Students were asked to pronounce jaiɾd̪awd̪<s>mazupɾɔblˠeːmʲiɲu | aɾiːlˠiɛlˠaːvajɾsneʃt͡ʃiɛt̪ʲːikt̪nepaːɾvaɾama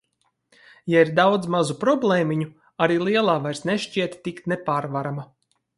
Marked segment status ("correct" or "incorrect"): incorrect